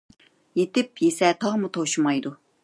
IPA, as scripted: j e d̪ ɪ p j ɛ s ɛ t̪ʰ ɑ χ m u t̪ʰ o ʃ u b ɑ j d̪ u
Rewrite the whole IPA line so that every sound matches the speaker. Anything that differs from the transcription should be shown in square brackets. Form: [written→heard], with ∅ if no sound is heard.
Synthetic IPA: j e [d̪→t̪] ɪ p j [ɛ→e] s ɛ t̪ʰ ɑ [χ→ʁ] m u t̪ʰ o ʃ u [b→m] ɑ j d̪ u